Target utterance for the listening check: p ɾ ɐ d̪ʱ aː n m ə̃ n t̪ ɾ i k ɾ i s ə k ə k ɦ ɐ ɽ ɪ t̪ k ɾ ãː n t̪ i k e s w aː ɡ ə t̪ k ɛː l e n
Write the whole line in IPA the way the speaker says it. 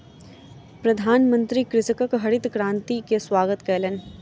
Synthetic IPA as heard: p ɾ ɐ d̪ʱ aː n m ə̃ n t̪ ɾ i k ɾ ɪ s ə k ə k ɦ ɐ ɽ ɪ t̪ k ɾ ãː n t̪ i k e s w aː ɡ ə t̪ k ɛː l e n